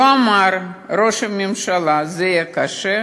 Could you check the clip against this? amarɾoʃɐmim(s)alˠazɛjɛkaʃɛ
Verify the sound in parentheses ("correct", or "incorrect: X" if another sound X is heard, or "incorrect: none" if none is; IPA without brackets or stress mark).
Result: incorrect: ʃ